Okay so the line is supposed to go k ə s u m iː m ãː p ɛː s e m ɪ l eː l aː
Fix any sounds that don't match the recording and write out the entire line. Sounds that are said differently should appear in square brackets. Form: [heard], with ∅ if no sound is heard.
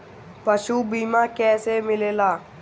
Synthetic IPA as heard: [p] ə [ʃ] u [b] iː m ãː [k] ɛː s e m ɪ l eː l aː